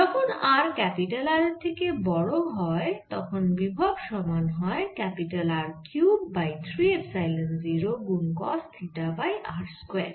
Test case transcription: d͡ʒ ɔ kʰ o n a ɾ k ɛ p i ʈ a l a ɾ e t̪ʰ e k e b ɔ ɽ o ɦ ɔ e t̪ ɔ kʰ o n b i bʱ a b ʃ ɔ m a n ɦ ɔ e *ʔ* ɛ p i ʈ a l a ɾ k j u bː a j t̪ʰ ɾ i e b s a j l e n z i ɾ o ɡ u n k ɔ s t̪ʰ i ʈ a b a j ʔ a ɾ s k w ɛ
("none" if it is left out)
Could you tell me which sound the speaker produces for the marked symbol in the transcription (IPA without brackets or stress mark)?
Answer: k